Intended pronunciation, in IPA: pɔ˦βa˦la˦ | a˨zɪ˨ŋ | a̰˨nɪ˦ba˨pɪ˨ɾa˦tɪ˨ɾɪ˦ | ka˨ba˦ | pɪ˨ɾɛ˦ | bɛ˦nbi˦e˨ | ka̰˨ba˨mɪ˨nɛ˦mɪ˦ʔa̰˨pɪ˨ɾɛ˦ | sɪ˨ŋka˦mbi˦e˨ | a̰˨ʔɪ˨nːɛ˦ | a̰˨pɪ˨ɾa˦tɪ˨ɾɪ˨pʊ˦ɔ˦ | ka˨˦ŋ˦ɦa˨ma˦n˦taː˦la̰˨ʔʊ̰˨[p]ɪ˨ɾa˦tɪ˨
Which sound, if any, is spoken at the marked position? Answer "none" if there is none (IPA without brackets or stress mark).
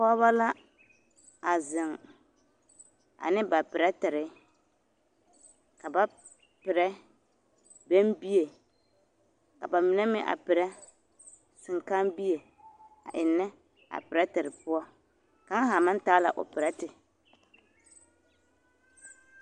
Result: p